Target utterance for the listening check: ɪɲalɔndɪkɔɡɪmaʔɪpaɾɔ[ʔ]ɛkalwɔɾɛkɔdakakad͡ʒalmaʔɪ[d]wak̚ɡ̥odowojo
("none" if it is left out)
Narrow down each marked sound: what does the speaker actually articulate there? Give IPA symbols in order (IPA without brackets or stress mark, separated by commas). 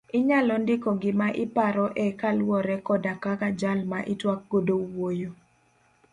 ʔ, t